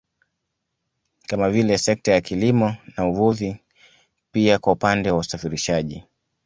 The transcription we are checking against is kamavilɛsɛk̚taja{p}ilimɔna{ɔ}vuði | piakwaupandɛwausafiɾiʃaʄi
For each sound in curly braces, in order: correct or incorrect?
incorrect: k, incorrect: u

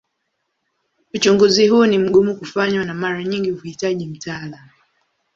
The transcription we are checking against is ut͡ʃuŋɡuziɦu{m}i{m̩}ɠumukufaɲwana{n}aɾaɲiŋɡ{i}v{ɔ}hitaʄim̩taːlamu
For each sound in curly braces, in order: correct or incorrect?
incorrect: n, correct, incorrect: m, correct, incorrect: u

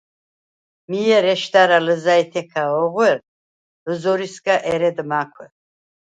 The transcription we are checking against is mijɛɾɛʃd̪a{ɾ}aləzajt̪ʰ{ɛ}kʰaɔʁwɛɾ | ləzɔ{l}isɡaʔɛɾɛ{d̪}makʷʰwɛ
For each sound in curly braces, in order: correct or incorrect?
correct, correct, incorrect: ɾ, correct

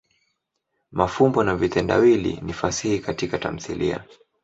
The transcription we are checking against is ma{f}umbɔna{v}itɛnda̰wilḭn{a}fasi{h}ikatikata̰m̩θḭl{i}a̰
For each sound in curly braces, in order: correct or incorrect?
correct, correct, incorrect: i, correct, correct

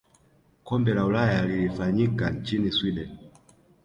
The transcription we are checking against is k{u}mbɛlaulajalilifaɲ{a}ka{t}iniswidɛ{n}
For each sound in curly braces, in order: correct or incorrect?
incorrect: ɔ, incorrect: i, incorrect: t͡ʃ, correct

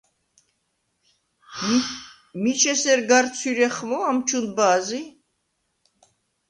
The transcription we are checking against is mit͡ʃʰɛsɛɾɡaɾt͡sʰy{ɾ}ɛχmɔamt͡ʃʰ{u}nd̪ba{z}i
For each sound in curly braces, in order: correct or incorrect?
correct, correct, correct

